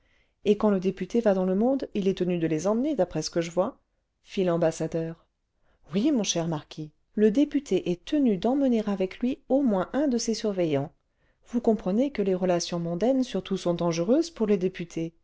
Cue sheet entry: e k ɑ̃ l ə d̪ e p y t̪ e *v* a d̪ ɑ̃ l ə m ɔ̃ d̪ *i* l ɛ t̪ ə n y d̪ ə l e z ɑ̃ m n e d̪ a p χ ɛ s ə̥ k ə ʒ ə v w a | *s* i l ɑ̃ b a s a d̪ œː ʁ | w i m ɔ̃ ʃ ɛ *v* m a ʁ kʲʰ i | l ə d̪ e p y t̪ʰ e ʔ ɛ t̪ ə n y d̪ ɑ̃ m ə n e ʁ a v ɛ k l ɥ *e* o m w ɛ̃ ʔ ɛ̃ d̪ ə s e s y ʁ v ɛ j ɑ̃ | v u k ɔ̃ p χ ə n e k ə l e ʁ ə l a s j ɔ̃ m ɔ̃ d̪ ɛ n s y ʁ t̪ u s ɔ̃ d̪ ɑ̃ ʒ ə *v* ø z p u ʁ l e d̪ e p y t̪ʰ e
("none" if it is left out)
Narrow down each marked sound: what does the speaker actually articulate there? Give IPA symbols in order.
v, i, f, ʁ, i, ʁ

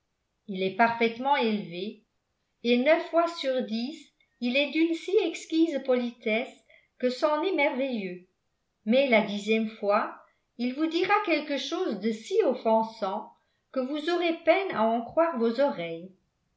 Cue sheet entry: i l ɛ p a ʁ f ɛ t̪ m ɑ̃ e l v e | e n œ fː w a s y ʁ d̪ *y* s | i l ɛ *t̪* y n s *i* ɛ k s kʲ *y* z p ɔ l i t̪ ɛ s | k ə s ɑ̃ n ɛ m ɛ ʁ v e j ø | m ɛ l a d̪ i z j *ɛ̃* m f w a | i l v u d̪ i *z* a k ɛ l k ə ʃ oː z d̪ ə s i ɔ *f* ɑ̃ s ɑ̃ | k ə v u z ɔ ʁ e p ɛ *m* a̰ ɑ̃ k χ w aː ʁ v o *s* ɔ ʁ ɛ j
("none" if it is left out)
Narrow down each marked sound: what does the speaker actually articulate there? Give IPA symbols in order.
i, d̪, i, i, ɛ, ʁ, f, n, z

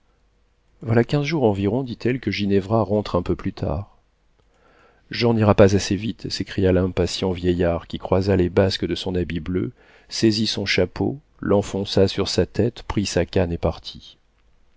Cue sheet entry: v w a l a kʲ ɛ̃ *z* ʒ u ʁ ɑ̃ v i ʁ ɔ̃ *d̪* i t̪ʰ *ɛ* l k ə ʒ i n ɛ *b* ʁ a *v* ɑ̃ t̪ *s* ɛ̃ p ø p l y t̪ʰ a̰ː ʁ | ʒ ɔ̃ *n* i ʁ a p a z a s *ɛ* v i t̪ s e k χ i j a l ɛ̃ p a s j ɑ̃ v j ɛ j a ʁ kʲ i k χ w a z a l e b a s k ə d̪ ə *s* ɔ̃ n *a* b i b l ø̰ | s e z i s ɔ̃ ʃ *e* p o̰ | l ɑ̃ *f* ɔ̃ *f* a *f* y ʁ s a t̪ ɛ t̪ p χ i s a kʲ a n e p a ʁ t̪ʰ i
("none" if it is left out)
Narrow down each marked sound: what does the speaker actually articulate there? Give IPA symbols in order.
z, d̪, ɛ, v, ʁ, χ, n, e, s, a, a, f, s, s

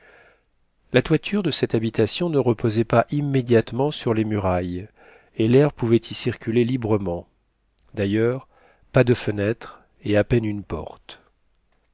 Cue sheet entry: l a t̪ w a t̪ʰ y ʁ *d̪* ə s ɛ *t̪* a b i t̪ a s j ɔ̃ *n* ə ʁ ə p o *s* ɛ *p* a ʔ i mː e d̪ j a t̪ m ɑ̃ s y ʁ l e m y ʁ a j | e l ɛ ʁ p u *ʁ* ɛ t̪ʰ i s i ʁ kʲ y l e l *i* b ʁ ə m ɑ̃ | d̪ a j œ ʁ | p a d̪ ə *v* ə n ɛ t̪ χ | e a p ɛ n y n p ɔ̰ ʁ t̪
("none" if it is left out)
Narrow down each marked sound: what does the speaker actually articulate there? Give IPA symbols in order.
d̪, t̪, n, z, p, v, i, f

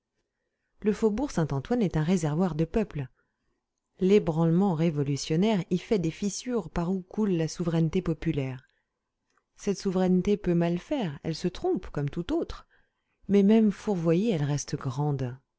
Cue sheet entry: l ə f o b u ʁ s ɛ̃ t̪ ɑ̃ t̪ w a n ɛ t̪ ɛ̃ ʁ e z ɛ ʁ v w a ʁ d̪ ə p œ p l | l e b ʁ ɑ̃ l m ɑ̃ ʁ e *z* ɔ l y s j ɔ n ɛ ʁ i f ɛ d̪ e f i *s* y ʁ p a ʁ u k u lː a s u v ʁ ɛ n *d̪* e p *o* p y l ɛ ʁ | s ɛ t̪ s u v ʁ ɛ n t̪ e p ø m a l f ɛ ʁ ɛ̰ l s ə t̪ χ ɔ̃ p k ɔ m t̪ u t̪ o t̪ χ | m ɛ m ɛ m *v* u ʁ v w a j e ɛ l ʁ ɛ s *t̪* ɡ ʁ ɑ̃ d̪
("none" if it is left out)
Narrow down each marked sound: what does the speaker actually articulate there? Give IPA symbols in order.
v, s, t̪, ɔ, f, t̪

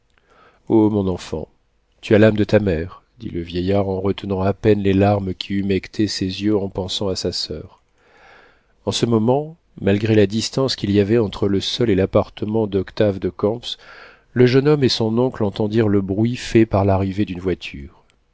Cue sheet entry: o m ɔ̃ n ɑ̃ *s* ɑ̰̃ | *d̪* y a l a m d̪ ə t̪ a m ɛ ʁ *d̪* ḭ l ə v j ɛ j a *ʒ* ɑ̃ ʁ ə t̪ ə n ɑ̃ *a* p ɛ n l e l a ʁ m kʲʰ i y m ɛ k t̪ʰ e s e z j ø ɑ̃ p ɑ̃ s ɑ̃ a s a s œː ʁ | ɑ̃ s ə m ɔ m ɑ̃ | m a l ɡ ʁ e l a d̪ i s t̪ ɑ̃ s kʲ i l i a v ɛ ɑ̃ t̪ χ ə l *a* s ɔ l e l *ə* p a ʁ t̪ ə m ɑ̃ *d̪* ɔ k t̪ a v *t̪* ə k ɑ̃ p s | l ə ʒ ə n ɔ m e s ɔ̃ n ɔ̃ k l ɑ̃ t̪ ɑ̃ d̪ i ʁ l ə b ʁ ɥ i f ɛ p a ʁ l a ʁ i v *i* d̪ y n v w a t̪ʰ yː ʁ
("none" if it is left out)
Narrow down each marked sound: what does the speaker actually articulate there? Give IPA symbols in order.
f, t̪, d̪, ʁ, a, ə, a, d̪, d̪, e

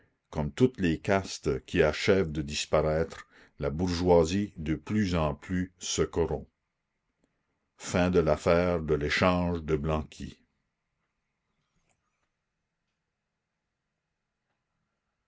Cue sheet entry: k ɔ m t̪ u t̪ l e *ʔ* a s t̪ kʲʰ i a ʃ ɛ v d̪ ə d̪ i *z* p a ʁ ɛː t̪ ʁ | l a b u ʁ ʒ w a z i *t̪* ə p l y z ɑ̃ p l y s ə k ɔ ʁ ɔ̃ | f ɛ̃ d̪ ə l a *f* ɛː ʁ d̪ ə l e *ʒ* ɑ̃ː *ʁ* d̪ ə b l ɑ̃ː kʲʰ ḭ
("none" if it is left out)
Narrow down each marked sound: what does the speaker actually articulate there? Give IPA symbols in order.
k, s, d̪, f, ʃ, ʒ

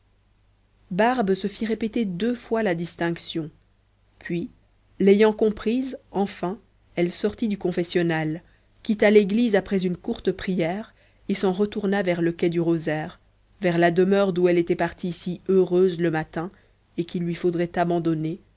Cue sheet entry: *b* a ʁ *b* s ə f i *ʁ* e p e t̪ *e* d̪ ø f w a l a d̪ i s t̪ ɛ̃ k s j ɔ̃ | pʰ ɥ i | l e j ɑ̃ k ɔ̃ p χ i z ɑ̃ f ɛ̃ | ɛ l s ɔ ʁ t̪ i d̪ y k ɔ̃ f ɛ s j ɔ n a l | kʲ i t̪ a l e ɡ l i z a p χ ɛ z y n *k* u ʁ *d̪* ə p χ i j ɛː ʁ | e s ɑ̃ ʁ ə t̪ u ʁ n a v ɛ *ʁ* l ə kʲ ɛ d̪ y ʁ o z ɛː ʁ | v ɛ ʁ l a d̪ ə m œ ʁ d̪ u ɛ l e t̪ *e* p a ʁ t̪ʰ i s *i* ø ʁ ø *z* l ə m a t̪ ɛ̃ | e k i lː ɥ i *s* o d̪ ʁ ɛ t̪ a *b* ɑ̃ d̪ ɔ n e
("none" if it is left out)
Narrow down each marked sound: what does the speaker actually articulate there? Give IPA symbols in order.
b, b, ʁ, e, k, t̪, ʁ, ɛ, i, z, f, b

